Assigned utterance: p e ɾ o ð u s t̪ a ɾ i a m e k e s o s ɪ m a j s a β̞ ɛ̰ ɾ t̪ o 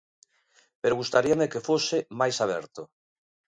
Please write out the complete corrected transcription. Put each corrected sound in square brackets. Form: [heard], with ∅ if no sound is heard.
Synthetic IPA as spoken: p e ɾ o [ɣ] u s t̪ a ɾ i a m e k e [f] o s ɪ m a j s a β̞ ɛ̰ ɾ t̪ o